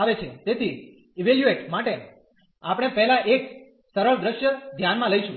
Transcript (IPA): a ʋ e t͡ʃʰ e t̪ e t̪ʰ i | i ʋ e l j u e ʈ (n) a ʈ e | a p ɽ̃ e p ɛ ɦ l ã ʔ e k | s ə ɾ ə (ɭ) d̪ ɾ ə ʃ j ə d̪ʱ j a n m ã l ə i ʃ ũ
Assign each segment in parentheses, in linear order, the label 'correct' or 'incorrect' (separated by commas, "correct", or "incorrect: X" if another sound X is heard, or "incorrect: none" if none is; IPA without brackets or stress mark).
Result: incorrect: m, correct